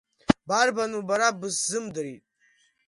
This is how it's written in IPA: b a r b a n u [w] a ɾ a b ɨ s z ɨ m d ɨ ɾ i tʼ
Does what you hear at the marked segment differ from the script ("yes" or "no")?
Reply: yes